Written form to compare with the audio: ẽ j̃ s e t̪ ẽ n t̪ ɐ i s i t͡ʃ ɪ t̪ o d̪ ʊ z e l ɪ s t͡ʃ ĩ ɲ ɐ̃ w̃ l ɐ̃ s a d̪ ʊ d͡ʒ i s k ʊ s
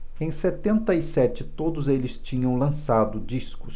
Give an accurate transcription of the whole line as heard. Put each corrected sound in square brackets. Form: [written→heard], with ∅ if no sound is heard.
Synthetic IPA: ẽ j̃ s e t̪ ẽ n t̪ ɐ i s [i→ɛ] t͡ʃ ɪ t̪ o d̪ ʊ z e l ɪ s t͡ʃ ĩ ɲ ɐ̃ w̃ l ɐ̃ s a d̪ ʊ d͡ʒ i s k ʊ s